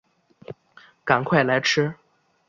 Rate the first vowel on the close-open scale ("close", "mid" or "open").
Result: open